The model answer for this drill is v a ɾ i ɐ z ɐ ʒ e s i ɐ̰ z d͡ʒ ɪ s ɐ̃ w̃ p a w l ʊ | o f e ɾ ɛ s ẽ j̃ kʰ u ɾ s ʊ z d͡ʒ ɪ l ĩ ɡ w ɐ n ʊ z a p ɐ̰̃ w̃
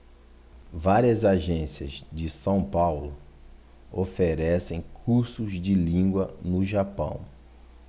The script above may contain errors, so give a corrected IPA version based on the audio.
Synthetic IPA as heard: v a ɾ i ɐ z a ʒ ẽ s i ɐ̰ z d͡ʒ ɪ s ɐ̃ w̃ p a w l ʊ | o f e ɾ ɛ s ẽ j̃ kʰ u ɾ s ʊ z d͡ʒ ɪ l ĩ ɡ w ɐ n ʊ ʒ a p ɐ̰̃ w̃